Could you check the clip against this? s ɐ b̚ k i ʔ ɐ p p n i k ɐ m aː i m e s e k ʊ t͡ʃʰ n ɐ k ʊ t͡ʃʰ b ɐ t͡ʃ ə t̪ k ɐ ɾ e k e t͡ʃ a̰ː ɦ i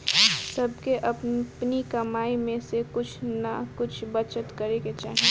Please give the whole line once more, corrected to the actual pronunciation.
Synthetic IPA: s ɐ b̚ k e ʔ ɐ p p n i k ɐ m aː i m ẽ s e k ʊ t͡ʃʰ n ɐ k ʊ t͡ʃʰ b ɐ t͡ʃ ə t̪ k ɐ ɾ e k e t͡ʃ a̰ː ɦ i